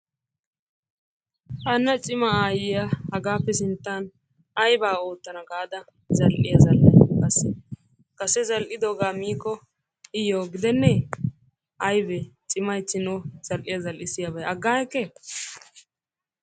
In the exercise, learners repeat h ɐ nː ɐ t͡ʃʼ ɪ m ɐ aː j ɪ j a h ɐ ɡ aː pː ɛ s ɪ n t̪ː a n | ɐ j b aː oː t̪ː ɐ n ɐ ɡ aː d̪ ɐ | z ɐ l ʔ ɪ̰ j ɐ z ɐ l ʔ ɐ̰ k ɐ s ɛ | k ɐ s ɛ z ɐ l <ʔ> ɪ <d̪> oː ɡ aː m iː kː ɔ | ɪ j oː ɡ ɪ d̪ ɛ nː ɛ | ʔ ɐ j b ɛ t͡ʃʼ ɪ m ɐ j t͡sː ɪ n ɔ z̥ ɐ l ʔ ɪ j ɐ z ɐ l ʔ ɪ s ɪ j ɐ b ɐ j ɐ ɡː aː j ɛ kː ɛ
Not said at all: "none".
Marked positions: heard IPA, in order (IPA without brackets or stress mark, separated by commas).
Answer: ʔ, d̪